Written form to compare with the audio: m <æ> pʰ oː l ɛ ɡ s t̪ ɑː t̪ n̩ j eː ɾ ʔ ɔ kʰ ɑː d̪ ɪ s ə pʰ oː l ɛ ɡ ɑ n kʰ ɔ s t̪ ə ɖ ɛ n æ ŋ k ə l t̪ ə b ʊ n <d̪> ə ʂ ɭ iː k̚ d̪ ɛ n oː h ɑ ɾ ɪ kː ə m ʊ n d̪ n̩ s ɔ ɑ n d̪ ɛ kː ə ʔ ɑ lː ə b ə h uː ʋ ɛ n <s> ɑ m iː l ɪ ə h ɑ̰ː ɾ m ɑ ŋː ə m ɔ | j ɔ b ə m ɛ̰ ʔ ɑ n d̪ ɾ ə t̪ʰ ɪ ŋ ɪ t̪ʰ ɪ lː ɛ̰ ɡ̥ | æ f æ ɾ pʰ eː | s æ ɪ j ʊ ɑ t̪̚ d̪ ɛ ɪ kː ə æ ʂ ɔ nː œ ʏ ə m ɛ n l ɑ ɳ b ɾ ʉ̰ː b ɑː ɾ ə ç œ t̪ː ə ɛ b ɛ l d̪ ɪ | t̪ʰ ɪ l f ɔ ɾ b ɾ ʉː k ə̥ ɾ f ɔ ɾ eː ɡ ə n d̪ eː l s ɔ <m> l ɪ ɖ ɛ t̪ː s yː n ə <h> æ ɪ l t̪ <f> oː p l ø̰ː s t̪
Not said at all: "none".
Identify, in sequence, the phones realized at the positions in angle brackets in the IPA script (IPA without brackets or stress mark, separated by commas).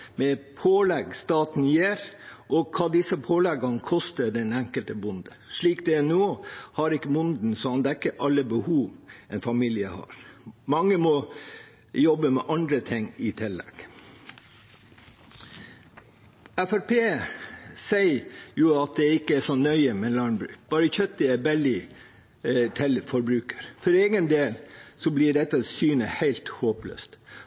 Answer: ɛ, d̪, f, b, h, h